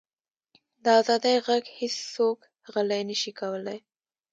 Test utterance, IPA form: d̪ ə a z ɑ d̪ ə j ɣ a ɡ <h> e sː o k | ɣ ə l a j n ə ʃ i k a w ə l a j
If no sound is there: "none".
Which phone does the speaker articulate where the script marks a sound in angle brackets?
h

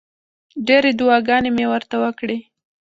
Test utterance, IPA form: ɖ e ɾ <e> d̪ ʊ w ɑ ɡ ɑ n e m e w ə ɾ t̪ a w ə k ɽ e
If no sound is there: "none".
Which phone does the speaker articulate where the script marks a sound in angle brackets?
e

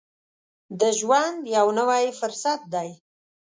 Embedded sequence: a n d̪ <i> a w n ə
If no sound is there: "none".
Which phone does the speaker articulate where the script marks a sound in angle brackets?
j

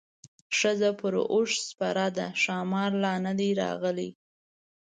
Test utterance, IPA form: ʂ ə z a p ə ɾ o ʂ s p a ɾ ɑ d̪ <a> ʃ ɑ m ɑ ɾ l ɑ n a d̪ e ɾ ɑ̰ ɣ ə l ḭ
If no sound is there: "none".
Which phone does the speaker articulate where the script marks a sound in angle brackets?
a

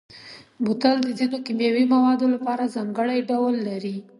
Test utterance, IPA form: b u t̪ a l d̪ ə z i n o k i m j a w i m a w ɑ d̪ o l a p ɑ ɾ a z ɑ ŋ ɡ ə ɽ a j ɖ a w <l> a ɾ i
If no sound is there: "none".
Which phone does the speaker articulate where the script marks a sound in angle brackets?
lː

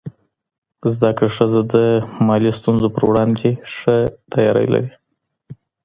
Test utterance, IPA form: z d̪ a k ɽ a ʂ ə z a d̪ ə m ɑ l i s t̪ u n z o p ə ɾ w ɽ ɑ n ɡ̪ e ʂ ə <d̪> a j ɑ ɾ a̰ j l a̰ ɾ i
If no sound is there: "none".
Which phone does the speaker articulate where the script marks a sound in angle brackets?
t̪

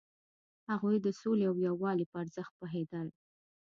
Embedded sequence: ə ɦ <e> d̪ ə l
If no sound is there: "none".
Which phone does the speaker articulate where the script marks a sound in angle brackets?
e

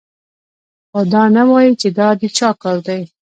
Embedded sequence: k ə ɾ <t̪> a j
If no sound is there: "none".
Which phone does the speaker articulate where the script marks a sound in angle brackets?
d̪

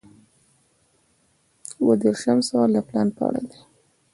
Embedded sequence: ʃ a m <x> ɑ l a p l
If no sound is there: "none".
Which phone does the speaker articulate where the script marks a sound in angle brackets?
s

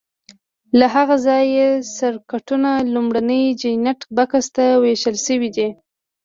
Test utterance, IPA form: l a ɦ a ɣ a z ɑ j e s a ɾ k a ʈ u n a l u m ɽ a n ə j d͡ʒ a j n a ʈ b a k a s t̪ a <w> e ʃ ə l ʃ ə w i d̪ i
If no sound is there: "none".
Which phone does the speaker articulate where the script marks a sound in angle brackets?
w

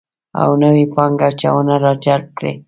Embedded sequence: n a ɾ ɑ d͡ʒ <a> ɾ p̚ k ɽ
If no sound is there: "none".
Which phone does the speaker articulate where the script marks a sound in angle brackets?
a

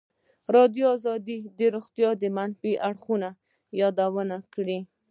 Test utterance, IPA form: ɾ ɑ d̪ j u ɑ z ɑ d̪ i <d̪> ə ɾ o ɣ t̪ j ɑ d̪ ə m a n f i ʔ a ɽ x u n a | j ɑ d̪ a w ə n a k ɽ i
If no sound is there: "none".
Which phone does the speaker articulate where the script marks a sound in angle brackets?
d̪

